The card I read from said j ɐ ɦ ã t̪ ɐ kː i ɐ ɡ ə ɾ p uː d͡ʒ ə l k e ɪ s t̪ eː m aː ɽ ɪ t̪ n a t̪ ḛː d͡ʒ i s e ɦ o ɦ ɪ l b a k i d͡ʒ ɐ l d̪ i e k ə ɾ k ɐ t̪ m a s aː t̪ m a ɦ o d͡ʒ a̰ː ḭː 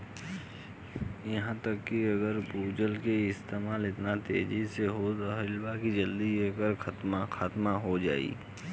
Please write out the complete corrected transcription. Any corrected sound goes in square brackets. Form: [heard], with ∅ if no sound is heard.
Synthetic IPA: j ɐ ɦ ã t̪ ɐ kː i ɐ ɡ ə ɾ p uː d͡ʒ ə l k e ɪ s t̪ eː m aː [l] ɪ t̪ n a t̪ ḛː d͡ʒ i s e ɦ o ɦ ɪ l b a k i d͡ʒ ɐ l d̪ i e k ə ɾ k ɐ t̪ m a [x] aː t̪ m a ɦ o d͡ʒ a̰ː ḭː